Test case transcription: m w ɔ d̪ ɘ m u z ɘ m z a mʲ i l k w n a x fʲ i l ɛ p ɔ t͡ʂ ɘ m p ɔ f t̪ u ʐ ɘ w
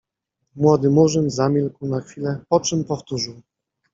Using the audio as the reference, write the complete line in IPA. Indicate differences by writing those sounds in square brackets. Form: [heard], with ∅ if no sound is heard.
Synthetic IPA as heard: m w ɔ d̪ ɘ m u [ʐ] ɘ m z a mʲ i l k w n a x fʲ i l ɛ p ɔ t͡ʂ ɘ m p ɔ f t̪ u ʐ ɘ w